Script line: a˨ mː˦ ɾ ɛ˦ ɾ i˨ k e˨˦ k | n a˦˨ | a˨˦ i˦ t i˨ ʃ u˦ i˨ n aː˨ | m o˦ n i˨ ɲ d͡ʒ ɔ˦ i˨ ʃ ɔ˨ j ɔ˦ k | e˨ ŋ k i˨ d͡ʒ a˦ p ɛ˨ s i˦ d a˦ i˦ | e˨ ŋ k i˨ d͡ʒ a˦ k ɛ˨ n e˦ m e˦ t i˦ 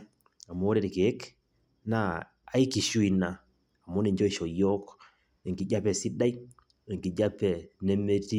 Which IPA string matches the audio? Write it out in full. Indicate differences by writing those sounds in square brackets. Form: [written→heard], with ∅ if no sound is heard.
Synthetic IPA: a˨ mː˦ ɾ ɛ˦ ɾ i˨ k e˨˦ k | n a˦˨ | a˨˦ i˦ [t→k] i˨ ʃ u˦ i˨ n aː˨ | m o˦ n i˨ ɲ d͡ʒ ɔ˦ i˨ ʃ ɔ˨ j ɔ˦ k | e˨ ŋ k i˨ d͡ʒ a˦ p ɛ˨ s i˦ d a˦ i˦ | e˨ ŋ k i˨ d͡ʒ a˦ [k→p] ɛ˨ n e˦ m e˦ t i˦